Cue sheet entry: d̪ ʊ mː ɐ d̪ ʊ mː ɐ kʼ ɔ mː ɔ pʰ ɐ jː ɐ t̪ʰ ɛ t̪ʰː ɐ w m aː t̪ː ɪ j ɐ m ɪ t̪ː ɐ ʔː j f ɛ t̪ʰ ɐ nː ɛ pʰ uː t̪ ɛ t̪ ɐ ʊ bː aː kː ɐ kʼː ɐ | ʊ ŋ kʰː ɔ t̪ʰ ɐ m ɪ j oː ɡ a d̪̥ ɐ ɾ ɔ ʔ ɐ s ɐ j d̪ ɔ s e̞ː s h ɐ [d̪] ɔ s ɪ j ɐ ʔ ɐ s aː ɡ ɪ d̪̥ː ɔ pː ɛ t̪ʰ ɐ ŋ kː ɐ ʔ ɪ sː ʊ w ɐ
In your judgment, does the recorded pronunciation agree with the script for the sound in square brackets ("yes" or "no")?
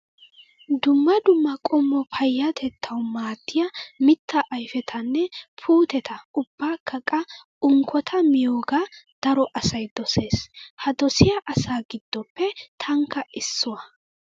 yes